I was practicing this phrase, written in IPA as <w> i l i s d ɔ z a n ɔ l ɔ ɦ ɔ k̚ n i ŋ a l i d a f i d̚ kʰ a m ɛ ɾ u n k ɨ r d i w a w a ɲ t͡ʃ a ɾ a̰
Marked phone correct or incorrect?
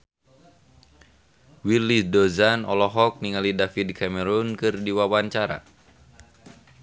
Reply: correct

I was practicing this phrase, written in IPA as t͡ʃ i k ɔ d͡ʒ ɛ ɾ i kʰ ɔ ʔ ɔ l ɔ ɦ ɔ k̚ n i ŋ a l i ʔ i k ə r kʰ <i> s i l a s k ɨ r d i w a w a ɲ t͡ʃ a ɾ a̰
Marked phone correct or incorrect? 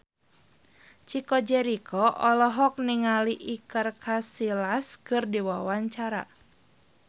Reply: incorrect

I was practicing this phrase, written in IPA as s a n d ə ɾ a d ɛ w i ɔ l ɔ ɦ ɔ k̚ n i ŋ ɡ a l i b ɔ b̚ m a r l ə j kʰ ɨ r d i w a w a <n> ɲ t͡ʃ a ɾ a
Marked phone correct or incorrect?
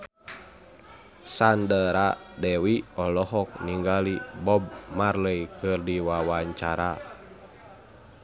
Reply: incorrect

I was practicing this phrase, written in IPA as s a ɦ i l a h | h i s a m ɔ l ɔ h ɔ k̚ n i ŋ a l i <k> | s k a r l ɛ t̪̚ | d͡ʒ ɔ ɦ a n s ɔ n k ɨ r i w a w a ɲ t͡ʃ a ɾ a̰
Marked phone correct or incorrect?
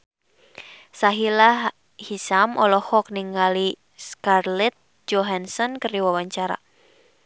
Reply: incorrect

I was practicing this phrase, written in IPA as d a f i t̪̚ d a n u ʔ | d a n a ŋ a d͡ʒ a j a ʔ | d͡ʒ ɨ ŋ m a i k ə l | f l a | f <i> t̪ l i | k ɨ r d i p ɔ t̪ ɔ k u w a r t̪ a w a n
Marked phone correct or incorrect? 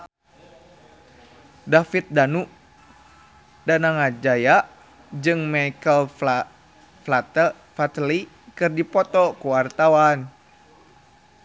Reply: incorrect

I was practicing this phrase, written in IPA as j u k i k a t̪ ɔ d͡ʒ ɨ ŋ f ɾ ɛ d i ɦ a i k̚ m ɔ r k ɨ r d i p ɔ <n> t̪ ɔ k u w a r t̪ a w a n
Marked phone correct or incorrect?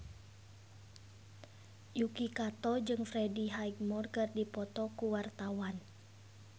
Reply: incorrect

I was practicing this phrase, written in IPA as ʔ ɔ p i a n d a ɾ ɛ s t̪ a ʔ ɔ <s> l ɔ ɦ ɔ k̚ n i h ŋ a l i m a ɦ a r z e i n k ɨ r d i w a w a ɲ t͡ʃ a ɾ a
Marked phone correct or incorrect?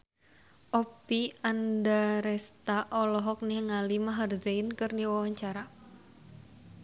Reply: incorrect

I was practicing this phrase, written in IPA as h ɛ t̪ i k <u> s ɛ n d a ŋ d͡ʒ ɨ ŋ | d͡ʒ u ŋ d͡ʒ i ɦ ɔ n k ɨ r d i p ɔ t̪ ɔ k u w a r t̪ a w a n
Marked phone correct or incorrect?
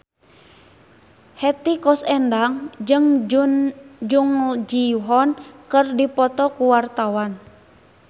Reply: incorrect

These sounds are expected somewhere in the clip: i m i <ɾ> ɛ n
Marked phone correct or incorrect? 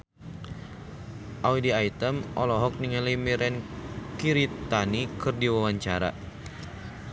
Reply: correct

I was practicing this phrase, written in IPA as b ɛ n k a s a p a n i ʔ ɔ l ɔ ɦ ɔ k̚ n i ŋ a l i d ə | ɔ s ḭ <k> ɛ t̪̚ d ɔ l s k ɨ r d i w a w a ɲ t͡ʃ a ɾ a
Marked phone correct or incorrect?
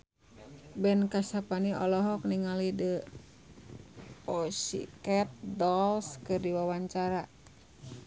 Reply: correct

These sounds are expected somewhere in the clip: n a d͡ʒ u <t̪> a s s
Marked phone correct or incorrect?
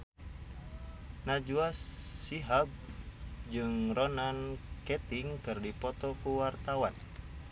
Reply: incorrect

